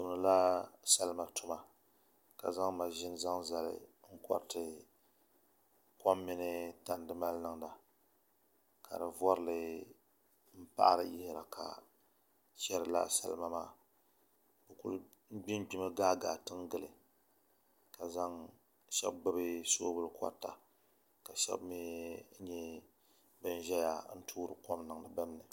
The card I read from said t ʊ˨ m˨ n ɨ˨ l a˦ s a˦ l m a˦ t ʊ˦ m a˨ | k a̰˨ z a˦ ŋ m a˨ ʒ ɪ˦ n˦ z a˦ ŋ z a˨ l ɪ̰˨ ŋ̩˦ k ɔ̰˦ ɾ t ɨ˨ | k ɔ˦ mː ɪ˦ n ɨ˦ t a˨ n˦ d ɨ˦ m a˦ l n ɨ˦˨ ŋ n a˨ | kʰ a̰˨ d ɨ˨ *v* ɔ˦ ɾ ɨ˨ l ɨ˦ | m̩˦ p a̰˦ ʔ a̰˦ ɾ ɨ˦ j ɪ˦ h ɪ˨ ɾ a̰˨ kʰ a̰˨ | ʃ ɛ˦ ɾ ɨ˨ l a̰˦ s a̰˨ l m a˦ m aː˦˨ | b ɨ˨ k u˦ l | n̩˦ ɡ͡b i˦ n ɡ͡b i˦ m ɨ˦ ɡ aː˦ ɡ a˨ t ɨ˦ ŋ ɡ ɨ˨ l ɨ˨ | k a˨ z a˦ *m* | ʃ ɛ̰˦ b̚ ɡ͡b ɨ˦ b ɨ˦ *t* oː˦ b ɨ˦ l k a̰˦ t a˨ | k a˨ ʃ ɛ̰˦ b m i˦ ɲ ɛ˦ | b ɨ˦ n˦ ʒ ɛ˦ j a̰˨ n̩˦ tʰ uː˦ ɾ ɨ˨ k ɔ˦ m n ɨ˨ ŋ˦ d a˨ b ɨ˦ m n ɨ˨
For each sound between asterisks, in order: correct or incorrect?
correct, incorrect, incorrect

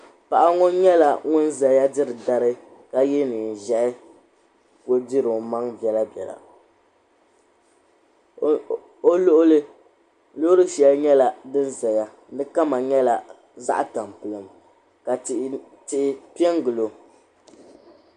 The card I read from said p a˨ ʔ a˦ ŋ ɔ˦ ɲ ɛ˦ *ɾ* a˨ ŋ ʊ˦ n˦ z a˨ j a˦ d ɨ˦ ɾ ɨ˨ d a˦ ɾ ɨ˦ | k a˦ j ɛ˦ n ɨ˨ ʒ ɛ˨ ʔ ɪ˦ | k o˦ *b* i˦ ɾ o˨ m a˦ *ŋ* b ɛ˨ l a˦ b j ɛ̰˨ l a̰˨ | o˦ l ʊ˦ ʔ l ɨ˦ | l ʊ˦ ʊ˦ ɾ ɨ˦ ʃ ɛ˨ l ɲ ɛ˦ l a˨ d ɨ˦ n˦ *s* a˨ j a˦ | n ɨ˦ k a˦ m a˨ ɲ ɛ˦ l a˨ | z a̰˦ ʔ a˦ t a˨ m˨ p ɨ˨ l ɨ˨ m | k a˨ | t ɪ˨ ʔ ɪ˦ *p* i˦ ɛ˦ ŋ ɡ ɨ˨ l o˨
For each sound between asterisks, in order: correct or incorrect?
incorrect, incorrect, correct, incorrect, correct

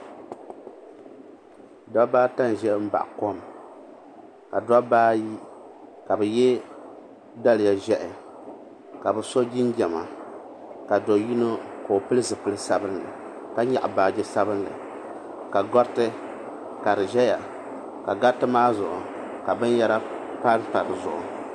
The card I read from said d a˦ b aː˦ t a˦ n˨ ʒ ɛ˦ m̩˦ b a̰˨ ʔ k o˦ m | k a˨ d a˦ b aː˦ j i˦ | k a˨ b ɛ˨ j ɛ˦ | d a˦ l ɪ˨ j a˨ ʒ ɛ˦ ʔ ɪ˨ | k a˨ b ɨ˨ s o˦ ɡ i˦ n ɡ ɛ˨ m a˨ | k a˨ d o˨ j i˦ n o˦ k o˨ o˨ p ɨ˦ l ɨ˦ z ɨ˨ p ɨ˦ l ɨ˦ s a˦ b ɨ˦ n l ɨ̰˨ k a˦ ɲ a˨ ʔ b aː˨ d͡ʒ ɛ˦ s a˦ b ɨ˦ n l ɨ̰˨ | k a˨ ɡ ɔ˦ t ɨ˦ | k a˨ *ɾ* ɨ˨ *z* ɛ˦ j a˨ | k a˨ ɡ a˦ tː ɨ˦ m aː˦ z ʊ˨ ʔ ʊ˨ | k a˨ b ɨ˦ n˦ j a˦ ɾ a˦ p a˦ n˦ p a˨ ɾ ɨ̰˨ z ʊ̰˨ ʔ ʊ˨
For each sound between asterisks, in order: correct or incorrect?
correct, incorrect

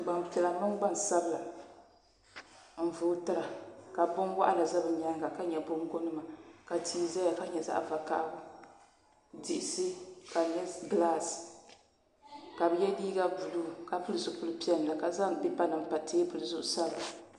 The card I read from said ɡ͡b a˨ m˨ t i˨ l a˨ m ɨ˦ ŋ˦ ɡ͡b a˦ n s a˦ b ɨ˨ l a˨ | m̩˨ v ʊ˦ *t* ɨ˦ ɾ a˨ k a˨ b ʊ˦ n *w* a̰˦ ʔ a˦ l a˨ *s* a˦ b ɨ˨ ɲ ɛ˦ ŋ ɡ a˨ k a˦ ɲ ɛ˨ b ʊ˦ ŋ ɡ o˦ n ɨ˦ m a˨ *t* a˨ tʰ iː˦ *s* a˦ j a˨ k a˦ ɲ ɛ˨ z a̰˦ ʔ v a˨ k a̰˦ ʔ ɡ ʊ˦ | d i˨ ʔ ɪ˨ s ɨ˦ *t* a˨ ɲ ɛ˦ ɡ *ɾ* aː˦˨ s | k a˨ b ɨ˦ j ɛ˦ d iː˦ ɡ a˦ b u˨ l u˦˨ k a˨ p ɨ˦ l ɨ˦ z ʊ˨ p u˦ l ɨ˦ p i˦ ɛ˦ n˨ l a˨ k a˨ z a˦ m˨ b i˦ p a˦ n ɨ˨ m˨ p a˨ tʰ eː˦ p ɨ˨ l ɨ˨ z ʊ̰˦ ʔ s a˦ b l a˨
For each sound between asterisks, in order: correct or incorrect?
correct, correct, incorrect, incorrect, incorrect, incorrect, incorrect

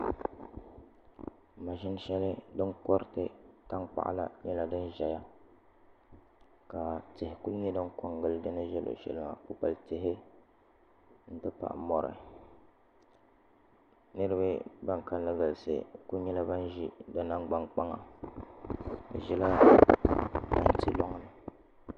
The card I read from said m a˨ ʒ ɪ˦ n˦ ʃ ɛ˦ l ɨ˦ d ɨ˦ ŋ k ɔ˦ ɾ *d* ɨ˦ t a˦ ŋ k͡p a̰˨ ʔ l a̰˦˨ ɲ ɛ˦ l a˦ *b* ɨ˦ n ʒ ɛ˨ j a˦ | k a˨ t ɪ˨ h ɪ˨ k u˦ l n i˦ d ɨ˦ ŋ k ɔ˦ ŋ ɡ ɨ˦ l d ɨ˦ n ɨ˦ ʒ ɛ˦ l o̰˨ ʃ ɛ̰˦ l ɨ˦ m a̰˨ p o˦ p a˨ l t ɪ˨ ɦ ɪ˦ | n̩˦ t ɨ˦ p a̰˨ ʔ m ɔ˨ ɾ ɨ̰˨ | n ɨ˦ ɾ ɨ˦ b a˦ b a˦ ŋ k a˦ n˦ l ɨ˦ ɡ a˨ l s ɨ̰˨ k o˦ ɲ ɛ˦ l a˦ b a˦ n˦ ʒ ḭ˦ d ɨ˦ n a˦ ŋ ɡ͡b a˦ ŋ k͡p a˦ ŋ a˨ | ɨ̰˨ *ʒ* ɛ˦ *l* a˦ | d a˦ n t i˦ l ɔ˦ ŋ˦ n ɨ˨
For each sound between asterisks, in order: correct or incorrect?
incorrect, incorrect, correct, correct

